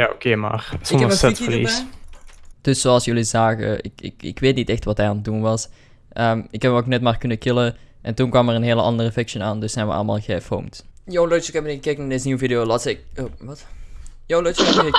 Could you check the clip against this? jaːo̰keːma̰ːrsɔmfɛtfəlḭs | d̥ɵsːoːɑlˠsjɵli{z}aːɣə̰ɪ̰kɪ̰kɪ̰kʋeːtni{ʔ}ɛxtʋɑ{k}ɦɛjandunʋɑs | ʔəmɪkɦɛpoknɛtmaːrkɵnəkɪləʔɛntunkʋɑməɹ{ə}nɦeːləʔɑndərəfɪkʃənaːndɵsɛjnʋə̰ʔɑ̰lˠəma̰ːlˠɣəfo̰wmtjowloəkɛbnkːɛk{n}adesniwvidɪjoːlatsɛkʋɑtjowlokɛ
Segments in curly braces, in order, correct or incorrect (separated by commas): correct, incorrect, incorrect, correct, correct